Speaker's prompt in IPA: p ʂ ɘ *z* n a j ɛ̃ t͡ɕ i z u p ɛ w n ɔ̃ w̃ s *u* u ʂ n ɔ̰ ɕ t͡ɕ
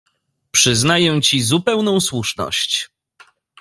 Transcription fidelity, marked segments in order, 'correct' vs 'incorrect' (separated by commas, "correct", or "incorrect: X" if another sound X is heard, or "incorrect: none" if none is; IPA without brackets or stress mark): correct, incorrect: w